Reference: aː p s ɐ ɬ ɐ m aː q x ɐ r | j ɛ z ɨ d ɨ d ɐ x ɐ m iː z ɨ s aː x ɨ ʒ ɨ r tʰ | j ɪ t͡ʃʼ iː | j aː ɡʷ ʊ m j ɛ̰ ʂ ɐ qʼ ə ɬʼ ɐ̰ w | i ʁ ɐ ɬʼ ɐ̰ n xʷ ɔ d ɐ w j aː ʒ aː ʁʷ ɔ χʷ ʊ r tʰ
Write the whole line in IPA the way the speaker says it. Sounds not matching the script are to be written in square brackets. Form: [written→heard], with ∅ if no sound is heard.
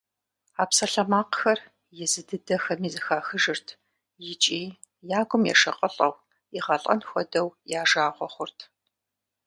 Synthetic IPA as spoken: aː p s ɐ ɬ ɐ m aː q x ɐ r | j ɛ z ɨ d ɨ d ɐ x ɐ m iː z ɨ [s→x] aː x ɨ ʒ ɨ r tʰ | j ɪ t͡ʃʼ iː | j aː ɡʷ ʊ m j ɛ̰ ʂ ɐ qʼ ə ɬʼ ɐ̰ w | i ʁ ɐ ɬʼ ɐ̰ n xʷ ɔ d ɐ w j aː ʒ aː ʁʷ ɔ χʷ ʊ r tʰ